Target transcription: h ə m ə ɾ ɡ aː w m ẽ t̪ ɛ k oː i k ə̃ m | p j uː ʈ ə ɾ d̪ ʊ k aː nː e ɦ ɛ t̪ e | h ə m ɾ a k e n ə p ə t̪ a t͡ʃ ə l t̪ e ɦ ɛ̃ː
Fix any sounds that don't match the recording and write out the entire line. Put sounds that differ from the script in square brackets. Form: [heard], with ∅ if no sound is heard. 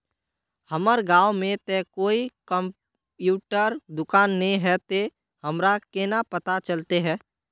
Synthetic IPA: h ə m ə ɾ ɡ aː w m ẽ t̪ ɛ k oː i k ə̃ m | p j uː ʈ ə ɾ d̪ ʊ k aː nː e ɦ ɛ t̪ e | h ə m ɾ a k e n [a] p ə t̪ a t͡ʃ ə l t̪ e ɦ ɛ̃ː